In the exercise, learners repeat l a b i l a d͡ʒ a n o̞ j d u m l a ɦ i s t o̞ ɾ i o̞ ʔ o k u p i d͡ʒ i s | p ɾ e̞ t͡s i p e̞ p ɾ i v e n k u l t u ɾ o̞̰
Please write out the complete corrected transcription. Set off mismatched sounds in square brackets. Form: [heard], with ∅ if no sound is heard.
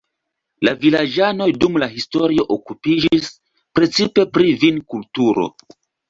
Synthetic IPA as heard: l a [v] i l a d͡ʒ a n o̞ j d u m l a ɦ i s t o̞ ɾ i o̞ ʔ o k u p i d͡ʒ i s | p ɾ e̞ t͡s i p e̞ p ɾ i v [i] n k u l t u ɾ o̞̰